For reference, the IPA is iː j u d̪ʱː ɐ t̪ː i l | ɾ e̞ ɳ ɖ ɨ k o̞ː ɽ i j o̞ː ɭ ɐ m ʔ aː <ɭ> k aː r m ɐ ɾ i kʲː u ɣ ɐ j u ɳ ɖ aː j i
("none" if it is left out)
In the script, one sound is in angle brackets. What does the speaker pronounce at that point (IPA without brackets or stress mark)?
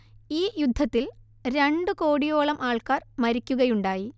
ɭ